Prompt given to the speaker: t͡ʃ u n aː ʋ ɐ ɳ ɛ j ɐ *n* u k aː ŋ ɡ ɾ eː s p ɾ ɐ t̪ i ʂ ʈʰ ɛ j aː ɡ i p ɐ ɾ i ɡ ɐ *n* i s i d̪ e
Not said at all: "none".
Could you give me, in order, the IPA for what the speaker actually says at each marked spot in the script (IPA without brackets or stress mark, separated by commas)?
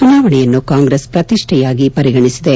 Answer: nː, ɳ